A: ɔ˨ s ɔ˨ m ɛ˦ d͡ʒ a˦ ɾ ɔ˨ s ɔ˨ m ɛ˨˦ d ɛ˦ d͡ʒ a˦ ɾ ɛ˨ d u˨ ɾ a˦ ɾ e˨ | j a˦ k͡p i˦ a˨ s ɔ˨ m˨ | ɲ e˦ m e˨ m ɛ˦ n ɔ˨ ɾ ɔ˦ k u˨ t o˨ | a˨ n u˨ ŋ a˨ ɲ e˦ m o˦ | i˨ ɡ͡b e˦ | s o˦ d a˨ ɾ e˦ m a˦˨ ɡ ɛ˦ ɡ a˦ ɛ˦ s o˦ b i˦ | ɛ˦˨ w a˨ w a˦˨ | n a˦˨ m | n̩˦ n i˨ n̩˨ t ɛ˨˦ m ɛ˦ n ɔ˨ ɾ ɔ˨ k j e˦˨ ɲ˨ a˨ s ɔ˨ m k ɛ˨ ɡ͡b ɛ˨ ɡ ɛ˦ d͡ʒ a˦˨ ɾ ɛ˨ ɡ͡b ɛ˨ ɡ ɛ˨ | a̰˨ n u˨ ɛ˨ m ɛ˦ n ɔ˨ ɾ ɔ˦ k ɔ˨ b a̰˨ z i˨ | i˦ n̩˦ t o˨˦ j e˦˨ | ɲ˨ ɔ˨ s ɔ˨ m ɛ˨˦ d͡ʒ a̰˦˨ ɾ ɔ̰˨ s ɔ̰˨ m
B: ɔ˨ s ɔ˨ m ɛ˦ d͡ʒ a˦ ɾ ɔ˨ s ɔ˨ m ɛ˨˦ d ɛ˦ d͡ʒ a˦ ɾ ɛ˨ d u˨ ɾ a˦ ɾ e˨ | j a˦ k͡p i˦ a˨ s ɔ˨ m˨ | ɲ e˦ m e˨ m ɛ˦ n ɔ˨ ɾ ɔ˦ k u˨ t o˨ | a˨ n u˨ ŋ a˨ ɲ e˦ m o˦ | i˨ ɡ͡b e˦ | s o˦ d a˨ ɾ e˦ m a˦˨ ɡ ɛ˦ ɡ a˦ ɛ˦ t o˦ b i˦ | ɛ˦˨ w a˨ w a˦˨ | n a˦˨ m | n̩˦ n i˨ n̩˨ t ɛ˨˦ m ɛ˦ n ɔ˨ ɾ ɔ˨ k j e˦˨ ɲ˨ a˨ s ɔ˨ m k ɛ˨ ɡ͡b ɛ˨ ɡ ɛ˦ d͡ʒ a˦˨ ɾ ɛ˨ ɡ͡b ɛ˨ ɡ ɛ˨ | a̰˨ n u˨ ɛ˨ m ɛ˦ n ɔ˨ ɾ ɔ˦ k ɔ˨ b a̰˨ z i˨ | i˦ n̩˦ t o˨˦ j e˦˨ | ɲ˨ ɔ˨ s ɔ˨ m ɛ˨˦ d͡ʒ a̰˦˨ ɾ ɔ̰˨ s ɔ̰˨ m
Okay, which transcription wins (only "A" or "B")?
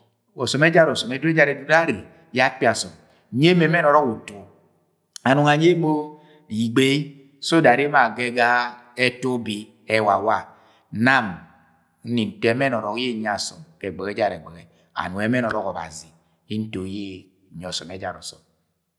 B